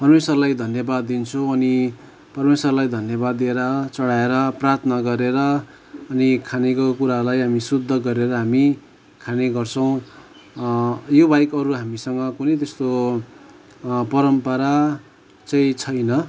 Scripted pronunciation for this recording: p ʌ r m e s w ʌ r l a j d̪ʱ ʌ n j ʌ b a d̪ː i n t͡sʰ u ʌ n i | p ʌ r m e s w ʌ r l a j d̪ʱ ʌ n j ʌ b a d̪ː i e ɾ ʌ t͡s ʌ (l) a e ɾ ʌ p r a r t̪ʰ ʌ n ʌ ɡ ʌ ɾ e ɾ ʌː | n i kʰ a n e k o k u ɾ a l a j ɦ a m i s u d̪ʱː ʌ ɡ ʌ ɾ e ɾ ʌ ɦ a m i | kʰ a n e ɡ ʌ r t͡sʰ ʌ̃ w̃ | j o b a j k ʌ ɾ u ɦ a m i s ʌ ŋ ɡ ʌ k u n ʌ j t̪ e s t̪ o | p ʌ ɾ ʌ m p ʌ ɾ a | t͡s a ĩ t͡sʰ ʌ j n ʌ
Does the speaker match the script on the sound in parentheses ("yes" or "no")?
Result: no